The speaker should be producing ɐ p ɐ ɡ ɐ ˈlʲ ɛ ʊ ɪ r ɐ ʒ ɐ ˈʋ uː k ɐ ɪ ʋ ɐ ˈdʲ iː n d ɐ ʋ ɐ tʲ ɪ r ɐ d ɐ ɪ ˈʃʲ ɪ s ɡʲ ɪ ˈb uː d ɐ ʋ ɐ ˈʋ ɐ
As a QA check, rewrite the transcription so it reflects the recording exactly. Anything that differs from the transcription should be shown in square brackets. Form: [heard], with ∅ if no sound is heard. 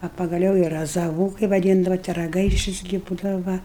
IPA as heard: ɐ p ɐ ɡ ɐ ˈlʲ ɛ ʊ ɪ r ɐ [z] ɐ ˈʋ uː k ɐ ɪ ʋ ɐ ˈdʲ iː n d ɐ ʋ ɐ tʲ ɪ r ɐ [ɡ] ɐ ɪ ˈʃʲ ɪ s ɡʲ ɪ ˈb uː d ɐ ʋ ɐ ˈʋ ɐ